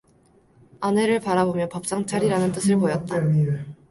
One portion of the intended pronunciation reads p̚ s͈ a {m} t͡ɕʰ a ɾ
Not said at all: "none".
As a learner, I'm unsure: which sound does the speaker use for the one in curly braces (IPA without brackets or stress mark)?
ŋ